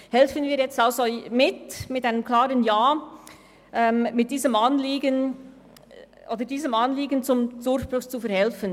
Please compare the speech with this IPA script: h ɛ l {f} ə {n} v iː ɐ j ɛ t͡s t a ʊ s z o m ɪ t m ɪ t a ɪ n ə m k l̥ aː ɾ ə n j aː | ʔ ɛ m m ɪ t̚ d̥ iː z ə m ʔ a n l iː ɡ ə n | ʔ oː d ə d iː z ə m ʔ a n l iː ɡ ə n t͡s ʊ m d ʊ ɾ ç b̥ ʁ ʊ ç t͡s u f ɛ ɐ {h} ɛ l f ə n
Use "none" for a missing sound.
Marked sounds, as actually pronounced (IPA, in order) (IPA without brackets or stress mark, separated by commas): f, n, h